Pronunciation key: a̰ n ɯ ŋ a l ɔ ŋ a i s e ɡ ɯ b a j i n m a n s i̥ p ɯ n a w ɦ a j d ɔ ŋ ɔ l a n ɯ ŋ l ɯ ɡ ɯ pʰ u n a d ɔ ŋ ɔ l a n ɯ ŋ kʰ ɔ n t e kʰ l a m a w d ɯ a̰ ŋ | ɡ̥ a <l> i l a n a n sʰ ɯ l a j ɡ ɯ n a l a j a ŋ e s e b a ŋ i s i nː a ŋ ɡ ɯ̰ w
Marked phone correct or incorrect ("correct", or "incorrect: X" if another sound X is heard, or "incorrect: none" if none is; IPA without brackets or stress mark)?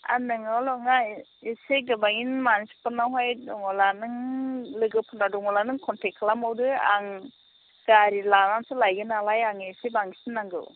incorrect: ɾ